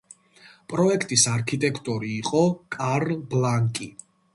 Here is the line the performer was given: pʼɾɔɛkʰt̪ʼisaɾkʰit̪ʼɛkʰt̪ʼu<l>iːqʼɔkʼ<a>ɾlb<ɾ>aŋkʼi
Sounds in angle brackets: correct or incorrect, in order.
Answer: incorrect: ɾ, correct, incorrect: l

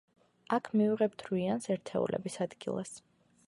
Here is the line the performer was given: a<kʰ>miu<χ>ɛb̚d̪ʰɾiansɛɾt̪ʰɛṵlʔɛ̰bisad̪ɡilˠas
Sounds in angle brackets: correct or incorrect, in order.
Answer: correct, incorrect: ʁ

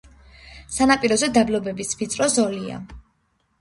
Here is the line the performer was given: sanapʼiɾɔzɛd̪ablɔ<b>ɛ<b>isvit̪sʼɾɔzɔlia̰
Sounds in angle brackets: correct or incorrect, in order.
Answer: correct, correct

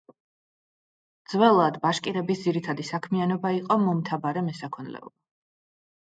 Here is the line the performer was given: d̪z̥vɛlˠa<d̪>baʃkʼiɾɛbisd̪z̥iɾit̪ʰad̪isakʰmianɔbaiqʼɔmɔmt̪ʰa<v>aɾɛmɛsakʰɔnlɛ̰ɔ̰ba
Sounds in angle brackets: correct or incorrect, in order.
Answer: correct, incorrect: b

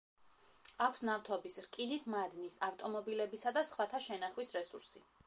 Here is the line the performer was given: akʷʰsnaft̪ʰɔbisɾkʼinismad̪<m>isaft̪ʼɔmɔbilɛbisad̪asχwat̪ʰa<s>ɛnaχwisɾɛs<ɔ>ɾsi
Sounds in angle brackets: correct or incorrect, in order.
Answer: incorrect: n, incorrect: ʃ, incorrect: u

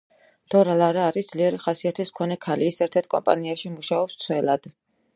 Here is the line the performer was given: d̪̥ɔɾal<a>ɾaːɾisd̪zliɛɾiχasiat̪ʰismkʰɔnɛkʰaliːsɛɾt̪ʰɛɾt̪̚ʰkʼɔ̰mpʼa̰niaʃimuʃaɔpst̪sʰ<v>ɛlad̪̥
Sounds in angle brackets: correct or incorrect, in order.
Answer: correct, incorrect: w

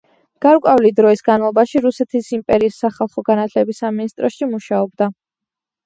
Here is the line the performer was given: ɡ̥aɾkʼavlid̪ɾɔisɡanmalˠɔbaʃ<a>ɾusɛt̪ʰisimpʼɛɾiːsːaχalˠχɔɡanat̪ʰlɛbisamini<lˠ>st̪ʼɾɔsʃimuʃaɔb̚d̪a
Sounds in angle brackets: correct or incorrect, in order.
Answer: incorrect: i, incorrect: none

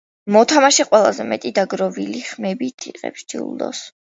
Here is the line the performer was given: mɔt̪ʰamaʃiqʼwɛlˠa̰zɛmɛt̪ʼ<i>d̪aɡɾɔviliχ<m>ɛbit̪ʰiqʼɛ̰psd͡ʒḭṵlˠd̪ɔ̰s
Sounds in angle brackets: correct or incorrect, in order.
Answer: correct, correct

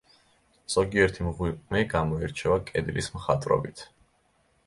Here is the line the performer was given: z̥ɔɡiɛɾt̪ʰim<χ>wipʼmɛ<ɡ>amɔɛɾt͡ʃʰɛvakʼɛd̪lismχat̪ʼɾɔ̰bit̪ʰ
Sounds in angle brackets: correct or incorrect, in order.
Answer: incorrect: ʁ, correct

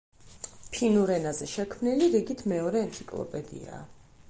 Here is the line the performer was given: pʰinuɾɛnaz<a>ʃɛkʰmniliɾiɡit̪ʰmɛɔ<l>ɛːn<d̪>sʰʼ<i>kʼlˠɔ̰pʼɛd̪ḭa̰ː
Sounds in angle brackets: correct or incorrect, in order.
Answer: incorrect: ɛ, incorrect: ɾ, incorrect: t̪, correct

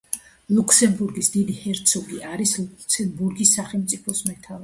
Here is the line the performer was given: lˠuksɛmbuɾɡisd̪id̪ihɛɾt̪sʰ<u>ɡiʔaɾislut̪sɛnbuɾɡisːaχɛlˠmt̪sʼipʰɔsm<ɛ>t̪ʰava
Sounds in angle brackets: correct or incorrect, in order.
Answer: incorrect: ɔ, correct

